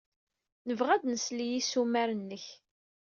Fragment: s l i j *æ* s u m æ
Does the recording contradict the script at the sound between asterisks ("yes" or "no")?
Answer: yes